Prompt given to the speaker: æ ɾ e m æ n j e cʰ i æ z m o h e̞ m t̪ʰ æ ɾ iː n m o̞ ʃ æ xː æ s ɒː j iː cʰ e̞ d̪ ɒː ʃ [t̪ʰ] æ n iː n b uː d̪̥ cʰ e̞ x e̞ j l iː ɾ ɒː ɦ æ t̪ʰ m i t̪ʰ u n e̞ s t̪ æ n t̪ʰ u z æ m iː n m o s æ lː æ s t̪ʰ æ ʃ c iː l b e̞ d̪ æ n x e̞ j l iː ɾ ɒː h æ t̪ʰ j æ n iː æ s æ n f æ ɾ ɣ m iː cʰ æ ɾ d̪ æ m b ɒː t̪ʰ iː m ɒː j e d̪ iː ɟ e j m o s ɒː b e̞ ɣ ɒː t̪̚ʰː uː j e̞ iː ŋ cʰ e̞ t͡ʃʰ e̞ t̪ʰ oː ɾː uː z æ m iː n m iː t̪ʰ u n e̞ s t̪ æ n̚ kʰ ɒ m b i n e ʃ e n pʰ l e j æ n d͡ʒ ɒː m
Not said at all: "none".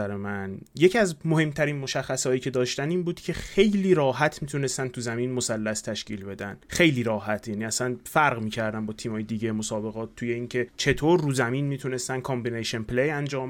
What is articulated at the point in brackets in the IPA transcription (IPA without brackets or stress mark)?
t̪